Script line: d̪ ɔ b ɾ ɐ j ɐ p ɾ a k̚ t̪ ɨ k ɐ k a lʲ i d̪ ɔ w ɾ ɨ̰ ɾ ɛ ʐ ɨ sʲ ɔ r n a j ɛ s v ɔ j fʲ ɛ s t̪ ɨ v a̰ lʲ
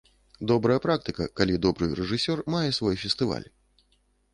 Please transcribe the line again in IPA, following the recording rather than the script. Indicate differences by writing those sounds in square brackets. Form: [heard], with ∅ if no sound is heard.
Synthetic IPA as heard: d̪ ɔ b ɾ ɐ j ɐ p ɾ a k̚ t̪ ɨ k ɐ k a lʲ i d̪ ɔ [b] ɾ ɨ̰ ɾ ɛ ʐ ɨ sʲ ɔ r [m] a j ɛ s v ɔ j fʲ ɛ s t̪ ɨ v a̰ lʲ